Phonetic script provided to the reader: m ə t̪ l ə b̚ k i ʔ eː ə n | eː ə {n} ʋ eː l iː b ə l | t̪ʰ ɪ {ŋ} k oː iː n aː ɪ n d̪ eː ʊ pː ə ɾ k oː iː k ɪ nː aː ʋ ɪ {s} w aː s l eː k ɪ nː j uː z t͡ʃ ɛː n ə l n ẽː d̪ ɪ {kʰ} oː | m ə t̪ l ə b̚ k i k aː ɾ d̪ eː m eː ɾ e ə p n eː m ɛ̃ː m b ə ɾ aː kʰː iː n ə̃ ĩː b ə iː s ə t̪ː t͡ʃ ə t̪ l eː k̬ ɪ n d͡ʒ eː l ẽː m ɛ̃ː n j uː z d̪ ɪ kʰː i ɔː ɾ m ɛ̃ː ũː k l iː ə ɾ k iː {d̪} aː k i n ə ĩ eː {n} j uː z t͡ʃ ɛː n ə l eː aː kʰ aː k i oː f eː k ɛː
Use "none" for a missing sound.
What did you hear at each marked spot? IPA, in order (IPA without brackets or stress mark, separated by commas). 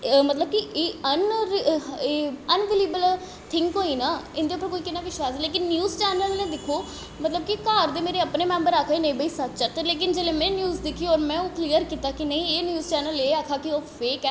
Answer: n, ŋ, ʃ, kʰ, t̪, n